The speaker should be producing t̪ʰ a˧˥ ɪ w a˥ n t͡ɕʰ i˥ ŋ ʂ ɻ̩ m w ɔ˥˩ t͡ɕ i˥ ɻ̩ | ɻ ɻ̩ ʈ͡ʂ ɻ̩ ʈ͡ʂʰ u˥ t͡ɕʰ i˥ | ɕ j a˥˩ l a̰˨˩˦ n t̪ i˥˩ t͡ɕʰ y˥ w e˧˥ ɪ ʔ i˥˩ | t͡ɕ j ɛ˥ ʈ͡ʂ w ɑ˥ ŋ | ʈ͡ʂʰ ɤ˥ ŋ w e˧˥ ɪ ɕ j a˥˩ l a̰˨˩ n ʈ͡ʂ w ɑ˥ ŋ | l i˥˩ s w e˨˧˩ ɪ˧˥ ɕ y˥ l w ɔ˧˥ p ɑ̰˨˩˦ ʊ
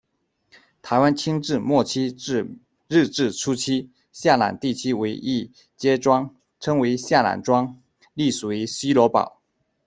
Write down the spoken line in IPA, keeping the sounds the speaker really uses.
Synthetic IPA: t̪ʰ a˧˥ ɪ w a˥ n t͡ɕʰ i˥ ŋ ʈ͡ʂ ɻ̩ m w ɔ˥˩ t͡ɕʰ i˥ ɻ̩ | ɻ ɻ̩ ʈ͡ʂ ɻ̩ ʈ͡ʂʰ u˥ t͡ɕʰ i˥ | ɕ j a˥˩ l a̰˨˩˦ n t̪ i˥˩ t͡ɕʰ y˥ w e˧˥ ɪ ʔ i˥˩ | t͡ɕ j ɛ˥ ʈ͡ʂ w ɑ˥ ŋ | ʈ͡ʂʰ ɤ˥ ŋ w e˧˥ ɪ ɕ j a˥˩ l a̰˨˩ n ʈ͡ʂ w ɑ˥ ŋ | l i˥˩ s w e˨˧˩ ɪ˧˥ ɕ i˥ l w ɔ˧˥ p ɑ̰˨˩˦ ʊ